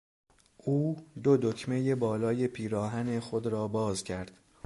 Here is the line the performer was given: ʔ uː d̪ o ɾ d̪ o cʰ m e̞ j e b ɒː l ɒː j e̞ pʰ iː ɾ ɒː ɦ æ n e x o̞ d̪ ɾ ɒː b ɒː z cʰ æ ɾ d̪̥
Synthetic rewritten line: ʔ uː d̪ o d̪ o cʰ m e̞ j e b ɒː l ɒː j e̞ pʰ iː ɾ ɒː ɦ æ n e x o̞ d̪ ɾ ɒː b ɒː z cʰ æ ɾ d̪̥